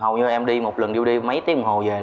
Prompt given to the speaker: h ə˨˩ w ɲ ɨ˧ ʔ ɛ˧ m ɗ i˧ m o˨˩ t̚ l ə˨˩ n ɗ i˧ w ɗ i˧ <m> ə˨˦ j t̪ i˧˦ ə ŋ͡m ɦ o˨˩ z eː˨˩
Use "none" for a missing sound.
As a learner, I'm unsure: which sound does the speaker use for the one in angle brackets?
m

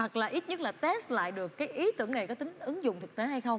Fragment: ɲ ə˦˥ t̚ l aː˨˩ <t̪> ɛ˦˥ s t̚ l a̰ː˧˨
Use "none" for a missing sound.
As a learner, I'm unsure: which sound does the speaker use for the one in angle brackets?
t̪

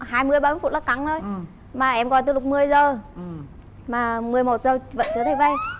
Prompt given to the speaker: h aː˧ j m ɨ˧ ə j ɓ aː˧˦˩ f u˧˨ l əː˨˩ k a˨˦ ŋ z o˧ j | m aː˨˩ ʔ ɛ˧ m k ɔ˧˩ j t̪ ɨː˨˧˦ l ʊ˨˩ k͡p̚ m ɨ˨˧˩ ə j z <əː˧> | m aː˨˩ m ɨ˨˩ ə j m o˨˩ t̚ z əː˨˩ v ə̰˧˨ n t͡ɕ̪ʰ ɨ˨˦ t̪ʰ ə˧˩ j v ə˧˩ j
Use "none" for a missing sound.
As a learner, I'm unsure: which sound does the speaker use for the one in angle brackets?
əː˨˩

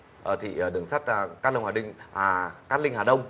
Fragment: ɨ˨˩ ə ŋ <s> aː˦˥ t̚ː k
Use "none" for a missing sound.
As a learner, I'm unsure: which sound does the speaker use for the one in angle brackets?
s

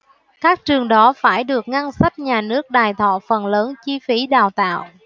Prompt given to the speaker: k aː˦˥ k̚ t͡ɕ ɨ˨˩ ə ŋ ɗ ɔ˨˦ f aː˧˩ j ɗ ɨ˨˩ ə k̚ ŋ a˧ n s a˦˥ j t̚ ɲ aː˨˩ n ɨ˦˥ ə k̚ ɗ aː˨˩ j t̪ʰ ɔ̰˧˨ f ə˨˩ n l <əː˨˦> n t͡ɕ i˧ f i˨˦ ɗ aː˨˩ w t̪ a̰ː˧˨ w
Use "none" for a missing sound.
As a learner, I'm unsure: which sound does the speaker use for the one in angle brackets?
əː˨˦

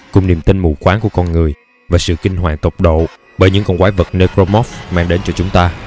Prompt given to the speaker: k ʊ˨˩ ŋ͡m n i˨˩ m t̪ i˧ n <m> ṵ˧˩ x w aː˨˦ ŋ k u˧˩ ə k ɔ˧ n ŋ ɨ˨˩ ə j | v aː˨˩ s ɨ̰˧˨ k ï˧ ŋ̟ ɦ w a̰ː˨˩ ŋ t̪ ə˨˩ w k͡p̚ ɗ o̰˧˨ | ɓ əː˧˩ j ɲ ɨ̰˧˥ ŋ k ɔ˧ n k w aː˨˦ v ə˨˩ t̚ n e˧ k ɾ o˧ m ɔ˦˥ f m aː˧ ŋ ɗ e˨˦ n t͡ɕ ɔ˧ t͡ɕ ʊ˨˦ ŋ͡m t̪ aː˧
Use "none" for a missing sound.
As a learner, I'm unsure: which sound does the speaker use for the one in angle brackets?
m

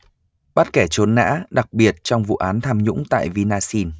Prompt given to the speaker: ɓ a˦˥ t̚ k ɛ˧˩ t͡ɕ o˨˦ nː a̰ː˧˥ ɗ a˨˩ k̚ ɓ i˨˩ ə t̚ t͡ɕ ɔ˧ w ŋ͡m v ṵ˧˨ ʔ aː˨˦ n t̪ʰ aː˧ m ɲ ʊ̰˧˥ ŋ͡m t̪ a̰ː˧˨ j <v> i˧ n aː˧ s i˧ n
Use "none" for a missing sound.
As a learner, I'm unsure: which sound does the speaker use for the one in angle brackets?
v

